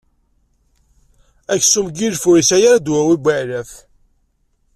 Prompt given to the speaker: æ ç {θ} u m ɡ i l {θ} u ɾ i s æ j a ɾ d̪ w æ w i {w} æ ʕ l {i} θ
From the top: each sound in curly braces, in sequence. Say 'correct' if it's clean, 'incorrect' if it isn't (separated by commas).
incorrect, incorrect, incorrect, incorrect